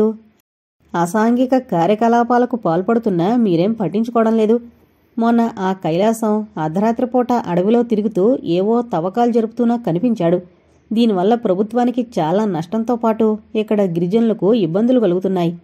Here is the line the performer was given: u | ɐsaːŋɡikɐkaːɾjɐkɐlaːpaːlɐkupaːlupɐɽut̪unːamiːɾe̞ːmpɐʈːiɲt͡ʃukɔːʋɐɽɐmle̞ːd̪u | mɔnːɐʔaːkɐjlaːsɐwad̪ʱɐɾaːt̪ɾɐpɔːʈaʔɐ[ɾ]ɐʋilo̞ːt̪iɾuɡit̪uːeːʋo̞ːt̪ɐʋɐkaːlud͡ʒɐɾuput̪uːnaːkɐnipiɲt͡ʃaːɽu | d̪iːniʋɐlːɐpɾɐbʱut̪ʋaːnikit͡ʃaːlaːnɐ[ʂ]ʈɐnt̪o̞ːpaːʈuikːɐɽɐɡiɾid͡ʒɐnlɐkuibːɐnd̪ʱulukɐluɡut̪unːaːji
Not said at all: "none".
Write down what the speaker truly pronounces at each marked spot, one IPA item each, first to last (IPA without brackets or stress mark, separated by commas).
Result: ɽ, ʂ